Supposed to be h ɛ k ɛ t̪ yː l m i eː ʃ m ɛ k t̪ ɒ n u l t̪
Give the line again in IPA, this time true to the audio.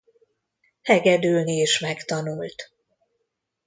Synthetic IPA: h ɛ ɡ ɛ d̪ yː l n i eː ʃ m ɛ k t̪ ɒ n u l t̪

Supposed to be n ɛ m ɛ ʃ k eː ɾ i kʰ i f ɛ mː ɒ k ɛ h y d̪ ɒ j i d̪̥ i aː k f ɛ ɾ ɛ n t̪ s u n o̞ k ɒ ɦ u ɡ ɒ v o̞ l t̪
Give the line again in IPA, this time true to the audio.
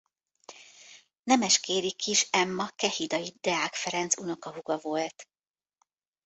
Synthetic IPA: n ɛ m ɛ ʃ k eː ɾ i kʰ i ʃ ɛ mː ɒ k ɛ h i d̪ ɒ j i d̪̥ ɛ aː k f ɛ ɾ ɛ n t̪ s u n o̞ k ɒ ɦ u ɡ ɒ v o̞ l t̪

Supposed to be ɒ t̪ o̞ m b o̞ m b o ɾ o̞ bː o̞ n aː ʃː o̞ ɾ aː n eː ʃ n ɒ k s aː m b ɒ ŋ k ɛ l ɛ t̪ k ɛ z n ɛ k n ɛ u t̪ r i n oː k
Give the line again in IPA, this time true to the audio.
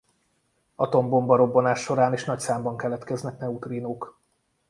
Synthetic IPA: ɒ t̪ o̞ m b o̞ m b ɒ ɾ o̞ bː o̞ n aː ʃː o̞ ɾ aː n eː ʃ n ɒ c s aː m b ɒ ŋ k ɛ l ɛ t̪ k ɛ z n ɛ k n ɛ u t̪ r i n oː k

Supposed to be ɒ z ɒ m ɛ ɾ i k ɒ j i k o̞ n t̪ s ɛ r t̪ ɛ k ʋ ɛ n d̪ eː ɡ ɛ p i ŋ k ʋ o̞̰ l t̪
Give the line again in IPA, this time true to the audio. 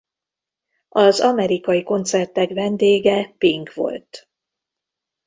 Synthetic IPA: ɒ z ɒ m ɛ ɾ i k ɒ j i k o̞ n t̪ s ɛ r t̪ ɛ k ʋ ɛ n d̪ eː ɡ ɛ p i ŋ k ʋ o̞̰ l t̪

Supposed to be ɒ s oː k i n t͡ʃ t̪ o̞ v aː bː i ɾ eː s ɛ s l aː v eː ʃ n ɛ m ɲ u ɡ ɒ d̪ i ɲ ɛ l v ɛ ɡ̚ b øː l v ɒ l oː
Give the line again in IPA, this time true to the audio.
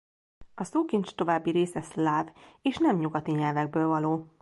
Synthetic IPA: ɒ s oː k i n t͡ʃ t̪ o̞ v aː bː i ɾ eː s ɛ s l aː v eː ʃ n ɛ m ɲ u ɡ ɒ t̪ i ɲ ɛ l v ɛ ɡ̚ b øː l v ɒ l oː

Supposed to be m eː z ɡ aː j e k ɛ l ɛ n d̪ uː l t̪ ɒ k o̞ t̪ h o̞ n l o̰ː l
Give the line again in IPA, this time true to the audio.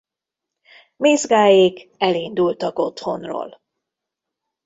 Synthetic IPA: m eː z ɡ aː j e k ɛ l i n d̪ u l t̪ ɒ k o̞ t̪ h o̞ n r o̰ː l

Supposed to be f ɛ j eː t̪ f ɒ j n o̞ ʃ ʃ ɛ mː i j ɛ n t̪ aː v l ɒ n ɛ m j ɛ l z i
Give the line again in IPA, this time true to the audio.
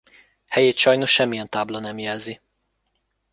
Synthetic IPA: h ɛ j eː t̪ ʃ ɒ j n o̞ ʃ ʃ ɛ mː i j ɛ n t̪ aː b l ɒ n ɛ m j ɛ l z i

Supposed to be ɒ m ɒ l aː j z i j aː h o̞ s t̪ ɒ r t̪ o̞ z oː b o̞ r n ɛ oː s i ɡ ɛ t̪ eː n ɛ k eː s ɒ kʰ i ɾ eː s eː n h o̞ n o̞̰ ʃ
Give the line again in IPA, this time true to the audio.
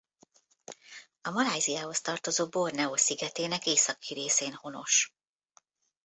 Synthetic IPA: ɒ m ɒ l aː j z i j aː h o̞ s t̪ ɒ r t̪ o̞ z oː b o̞ r n ɛ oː s i ɡ ɛ t̪ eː n ɛ k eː s ɒ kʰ i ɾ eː s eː n h o̞ n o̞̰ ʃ

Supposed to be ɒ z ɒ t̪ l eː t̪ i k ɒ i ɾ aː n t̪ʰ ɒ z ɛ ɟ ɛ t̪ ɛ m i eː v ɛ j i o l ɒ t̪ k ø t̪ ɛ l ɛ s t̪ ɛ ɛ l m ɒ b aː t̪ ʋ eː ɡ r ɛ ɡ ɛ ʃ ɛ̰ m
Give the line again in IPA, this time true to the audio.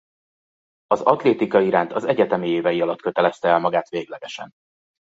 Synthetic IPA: ɒ z ɒ t̪ l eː t̪ i k ɒ i ɾ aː n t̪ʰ ɒ z ɛ ɟ ɛ t̪ ɛ m i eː v ɛ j i ɒ l ɒ t̪ k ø t̪ ɛ l ɛ s t̪ ɛ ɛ l m ɒ ɡ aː t̪ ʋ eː ɡ l ɛ ɡ ɛ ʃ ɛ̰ n

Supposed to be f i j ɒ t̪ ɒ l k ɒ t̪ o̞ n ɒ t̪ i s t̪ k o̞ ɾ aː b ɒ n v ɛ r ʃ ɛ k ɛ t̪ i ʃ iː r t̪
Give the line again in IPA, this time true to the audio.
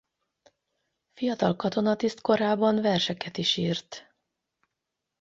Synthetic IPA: f i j ɒ t̪ ɒ l k ɒ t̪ o̞ n ɒ t̪ i s t̪ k o̞ ɾ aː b ɒ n v ɛ r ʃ ɛ k ɛ t̪ i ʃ iː r t̪

